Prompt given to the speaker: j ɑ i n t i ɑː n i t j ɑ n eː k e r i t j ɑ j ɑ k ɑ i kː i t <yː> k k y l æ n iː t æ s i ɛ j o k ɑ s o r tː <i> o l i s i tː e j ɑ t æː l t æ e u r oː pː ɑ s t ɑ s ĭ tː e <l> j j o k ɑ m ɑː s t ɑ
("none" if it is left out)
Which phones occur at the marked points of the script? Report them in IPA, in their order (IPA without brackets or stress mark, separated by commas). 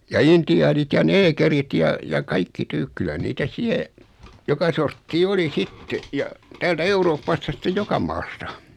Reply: yː, iː, none